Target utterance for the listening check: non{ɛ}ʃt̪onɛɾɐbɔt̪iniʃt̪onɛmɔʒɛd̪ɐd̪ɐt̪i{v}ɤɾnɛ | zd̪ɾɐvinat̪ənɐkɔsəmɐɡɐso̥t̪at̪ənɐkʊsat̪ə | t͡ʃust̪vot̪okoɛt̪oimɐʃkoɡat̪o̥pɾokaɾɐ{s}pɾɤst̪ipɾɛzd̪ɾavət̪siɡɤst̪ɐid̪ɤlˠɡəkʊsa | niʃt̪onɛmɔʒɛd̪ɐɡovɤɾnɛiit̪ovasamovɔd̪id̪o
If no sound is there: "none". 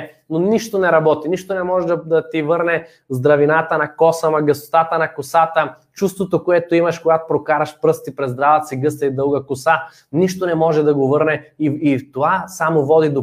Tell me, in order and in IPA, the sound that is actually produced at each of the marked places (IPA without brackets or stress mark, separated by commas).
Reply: i, v, ʃ